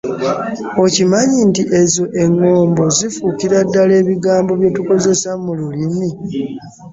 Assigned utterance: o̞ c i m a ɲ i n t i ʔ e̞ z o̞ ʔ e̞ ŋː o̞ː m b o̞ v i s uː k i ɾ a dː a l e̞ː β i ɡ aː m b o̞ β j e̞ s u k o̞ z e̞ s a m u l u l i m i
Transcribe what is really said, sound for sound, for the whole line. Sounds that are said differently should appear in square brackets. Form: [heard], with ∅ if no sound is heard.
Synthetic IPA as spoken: o̞ c i m a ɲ i n t i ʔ e̞ z o̞ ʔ e̞ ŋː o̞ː m b o̞ [z] i [f] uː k i ɾ a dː a l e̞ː β i ɡ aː m b o̞ β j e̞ [t] u k o̞ z e̞ s a m u l u l i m i